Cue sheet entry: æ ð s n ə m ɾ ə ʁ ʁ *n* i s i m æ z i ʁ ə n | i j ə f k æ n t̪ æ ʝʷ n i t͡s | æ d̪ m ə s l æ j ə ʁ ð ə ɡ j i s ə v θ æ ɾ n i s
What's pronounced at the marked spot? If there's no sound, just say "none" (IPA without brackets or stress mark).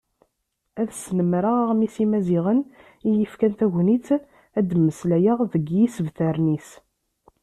m